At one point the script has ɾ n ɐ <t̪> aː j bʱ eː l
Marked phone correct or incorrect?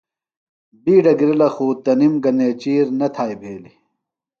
incorrect